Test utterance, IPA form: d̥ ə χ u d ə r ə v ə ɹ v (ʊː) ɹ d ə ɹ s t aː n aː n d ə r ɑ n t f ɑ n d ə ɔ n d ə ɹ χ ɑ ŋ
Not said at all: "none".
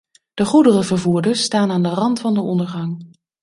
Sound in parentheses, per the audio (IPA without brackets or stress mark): uː